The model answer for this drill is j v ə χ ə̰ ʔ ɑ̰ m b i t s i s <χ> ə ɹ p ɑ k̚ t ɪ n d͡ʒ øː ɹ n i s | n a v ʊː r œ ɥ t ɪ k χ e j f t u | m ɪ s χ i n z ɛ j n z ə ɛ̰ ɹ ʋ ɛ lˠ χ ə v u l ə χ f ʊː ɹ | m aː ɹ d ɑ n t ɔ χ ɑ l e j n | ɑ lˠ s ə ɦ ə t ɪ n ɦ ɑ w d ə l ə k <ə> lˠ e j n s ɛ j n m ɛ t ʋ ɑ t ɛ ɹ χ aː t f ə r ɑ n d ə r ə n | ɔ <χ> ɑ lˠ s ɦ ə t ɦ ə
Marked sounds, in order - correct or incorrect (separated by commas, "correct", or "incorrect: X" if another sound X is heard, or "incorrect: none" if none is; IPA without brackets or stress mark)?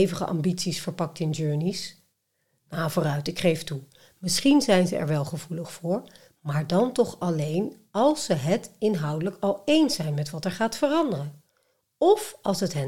incorrect: f, incorrect: ɑ, incorrect: f